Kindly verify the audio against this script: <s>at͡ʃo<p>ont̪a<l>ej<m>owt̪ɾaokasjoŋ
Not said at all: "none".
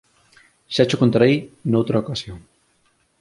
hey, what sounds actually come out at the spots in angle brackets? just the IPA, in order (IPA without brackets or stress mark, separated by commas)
ʃ, k, ɾ, n